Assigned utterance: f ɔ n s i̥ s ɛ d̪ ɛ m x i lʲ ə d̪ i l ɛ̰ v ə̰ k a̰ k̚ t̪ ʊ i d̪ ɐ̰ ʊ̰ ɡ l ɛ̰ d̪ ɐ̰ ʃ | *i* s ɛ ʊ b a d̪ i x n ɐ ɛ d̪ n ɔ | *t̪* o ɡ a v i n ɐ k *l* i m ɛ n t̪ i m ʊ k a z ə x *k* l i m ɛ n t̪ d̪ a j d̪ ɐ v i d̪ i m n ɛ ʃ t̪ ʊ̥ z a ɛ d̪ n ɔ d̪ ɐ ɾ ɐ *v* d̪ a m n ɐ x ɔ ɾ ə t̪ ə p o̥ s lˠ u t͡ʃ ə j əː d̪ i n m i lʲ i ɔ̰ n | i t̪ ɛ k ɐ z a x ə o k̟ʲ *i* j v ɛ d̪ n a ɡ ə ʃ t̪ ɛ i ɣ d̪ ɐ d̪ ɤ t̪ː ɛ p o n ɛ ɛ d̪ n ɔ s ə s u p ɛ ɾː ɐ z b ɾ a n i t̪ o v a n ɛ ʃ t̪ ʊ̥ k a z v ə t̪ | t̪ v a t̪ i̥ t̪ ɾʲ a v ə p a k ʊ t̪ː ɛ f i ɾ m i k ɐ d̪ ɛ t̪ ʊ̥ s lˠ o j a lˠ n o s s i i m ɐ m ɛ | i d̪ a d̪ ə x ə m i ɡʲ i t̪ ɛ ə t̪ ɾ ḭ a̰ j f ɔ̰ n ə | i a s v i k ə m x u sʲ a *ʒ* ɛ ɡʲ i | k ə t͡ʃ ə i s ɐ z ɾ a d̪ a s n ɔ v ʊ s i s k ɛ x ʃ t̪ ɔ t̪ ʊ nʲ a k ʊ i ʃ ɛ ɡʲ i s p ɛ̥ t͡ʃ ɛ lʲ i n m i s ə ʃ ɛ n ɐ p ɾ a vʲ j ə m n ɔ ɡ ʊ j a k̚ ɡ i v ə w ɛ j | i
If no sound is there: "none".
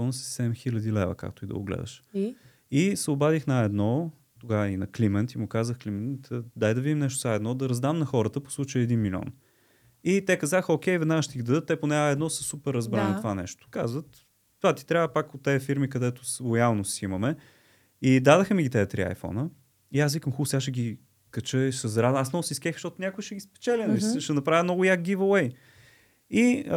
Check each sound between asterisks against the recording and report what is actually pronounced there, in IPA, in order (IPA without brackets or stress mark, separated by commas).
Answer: i, t̪, l, k, z, ɛ, ʃ